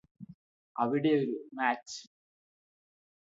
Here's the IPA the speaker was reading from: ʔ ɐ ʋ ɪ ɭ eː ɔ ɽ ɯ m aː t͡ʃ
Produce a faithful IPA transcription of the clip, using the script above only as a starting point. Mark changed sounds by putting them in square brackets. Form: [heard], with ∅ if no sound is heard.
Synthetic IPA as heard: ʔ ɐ ʋ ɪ [ɽ] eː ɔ [ɾ] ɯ m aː t͡ʃ